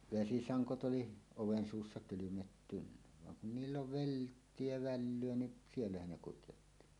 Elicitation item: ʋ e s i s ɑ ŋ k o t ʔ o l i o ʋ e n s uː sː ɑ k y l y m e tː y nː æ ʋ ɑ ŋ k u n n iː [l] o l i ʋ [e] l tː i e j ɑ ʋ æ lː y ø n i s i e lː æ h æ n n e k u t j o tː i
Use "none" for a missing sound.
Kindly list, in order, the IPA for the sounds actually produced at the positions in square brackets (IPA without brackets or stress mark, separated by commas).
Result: lː, e